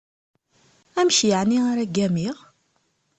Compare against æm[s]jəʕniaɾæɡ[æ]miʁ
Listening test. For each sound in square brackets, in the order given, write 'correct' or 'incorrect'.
incorrect: ʃ, correct

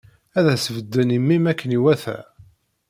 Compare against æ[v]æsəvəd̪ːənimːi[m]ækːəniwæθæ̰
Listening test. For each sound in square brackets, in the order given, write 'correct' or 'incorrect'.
incorrect: ð, correct

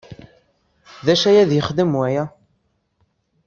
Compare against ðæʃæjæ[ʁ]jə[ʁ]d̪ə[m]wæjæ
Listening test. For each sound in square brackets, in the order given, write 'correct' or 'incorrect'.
incorrect: ð, incorrect: χ, correct

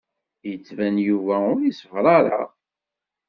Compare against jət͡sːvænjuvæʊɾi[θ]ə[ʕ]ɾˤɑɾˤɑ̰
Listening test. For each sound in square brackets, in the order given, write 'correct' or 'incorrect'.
incorrect: s, incorrect: v

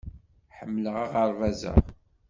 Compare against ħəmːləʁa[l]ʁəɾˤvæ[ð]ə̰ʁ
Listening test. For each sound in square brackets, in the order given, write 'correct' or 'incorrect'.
incorrect: none, incorrect: z

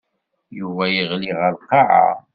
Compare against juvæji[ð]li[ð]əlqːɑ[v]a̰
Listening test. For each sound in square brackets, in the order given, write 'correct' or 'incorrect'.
incorrect: ʁ, incorrect: ʁ, incorrect: ʕ

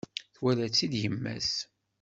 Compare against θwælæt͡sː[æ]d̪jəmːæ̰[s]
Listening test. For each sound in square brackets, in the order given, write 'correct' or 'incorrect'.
incorrect: i, correct

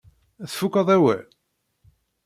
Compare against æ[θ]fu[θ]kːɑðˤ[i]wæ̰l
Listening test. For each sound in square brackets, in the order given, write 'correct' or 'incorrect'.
correct, incorrect: none, incorrect: æ

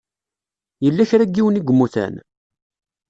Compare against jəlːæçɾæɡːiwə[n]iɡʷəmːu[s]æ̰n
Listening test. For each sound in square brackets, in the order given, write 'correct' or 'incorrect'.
correct, incorrect: θ

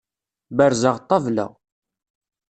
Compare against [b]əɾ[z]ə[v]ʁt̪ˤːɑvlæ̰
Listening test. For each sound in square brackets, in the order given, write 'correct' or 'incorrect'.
correct, correct, incorrect: none

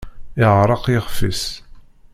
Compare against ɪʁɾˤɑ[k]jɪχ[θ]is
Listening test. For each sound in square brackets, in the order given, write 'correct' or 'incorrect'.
incorrect: q, incorrect: f

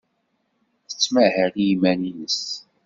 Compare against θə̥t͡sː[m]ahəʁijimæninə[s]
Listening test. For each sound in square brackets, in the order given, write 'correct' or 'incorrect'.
correct, correct

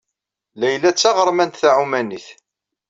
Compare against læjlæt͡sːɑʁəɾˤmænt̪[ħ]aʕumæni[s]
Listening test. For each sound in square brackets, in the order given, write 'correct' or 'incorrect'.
incorrect: θ, incorrect: θ

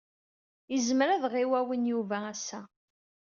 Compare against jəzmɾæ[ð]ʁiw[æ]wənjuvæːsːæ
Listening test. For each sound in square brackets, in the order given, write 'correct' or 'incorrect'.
correct, correct

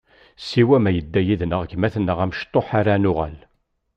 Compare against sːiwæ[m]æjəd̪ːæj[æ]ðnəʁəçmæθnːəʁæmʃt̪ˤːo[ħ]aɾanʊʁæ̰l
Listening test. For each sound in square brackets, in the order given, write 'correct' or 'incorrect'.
correct, incorrect: i, correct

